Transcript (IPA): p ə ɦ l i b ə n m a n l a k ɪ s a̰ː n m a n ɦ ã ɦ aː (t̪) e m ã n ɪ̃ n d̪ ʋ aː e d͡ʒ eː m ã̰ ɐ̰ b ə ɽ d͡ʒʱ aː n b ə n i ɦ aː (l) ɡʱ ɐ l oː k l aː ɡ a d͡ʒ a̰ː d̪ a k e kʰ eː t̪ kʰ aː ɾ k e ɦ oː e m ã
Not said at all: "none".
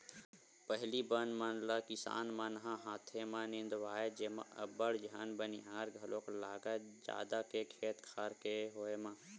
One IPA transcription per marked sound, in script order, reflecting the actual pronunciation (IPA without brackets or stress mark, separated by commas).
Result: t̪ʰ, ɾ